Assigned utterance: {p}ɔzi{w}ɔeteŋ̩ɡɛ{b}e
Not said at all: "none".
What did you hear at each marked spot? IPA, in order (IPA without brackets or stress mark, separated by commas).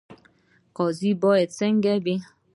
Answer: k, b, b